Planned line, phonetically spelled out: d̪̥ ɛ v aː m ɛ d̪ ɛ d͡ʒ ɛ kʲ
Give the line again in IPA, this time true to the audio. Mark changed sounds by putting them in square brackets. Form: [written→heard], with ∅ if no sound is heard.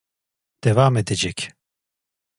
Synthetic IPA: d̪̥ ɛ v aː m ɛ d̪ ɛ d͡ʒ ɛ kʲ